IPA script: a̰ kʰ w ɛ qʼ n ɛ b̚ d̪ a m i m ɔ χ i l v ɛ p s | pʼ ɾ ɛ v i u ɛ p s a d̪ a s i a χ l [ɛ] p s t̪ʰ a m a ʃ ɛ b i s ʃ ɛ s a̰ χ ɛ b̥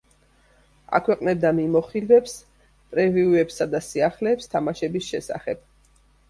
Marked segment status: incorrect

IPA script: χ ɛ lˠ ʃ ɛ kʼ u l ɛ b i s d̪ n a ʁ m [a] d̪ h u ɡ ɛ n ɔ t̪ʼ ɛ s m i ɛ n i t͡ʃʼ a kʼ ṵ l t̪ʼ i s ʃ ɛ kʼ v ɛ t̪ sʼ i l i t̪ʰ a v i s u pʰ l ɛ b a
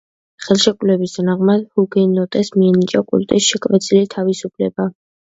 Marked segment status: correct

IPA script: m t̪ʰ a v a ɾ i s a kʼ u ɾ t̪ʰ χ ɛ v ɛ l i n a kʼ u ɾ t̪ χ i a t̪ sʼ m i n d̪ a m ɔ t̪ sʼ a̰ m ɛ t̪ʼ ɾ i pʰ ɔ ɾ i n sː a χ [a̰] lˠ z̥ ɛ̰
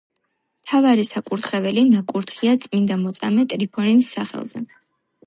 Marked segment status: incorrect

